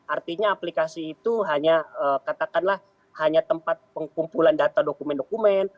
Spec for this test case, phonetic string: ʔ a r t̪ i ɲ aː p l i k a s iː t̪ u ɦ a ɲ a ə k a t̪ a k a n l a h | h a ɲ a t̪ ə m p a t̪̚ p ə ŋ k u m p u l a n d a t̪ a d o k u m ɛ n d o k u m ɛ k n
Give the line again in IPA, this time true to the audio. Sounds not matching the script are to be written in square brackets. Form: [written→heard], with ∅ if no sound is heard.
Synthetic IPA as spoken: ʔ a r t̪ i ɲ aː p l i k a s iː t̪ u ɦ a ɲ a ə k a t̪ a k a n l a h | h a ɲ a t̪ ə m p a t̪̚ p ə ŋ k u m p u l a n d a t̪ a d o k u m ɛ n d o k u m ɛ [k→∅] n